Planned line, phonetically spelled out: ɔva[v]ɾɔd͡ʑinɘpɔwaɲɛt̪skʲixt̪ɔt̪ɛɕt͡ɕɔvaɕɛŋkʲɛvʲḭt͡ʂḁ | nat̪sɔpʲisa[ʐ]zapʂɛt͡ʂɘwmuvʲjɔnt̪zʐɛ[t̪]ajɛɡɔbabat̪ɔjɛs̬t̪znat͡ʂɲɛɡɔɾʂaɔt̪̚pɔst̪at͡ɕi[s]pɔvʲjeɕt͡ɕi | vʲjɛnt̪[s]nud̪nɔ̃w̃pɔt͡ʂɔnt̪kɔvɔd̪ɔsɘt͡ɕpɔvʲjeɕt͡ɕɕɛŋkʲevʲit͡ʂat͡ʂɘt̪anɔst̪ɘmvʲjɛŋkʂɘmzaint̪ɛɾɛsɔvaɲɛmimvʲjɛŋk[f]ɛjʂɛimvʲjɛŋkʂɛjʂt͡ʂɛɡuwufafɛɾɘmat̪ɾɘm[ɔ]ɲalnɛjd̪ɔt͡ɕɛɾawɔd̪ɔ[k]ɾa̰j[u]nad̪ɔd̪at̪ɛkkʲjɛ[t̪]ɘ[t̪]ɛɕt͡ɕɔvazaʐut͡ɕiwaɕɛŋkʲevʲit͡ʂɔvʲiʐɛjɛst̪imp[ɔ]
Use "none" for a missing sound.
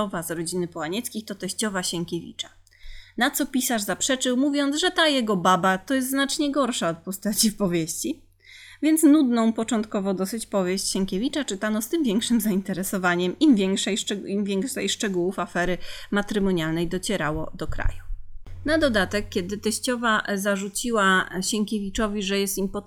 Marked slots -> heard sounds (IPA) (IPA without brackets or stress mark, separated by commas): z, ʐ, t̪, f, s, ʂ, ɔ, k, u, d̪, t̪, ɔ